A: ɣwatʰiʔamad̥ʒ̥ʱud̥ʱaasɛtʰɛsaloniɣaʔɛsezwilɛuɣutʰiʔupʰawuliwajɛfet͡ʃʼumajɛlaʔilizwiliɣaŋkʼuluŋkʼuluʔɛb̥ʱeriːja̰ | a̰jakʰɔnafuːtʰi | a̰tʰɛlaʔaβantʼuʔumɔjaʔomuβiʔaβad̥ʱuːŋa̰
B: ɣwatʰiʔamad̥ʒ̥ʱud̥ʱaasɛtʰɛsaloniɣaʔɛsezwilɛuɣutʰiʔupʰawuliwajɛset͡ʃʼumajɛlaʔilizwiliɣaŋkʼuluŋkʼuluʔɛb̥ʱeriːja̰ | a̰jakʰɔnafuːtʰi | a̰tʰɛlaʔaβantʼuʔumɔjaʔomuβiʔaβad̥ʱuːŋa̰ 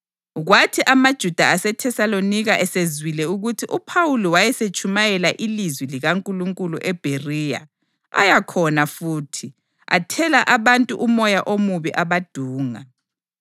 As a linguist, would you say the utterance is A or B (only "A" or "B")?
B